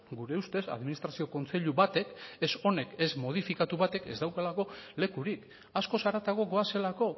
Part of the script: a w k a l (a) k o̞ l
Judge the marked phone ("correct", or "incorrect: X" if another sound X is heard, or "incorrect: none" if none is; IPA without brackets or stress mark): correct